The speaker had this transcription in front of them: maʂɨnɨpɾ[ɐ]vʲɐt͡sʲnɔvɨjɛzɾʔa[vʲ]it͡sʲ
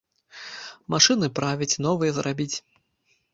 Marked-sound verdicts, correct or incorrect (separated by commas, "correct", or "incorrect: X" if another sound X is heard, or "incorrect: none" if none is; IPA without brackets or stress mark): incorrect: a, incorrect: bʲ